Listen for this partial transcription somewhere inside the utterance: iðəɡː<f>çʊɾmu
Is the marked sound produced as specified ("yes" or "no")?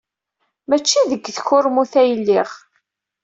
no